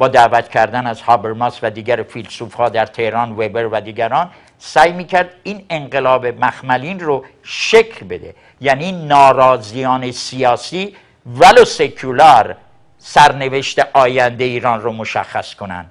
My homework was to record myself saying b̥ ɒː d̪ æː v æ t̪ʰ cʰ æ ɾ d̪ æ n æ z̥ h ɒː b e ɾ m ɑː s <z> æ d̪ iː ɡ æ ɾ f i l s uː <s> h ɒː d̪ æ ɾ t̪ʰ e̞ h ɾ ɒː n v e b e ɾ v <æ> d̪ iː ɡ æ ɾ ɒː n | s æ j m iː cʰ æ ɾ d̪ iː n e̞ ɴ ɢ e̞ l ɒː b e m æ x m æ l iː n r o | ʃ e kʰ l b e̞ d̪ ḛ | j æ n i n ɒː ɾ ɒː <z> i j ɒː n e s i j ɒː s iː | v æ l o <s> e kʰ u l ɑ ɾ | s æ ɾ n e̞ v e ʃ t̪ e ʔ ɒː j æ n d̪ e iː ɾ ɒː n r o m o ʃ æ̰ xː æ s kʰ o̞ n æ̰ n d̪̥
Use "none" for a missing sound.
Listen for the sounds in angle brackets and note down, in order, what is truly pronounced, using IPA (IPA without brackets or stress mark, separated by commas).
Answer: v, f, æ, z, s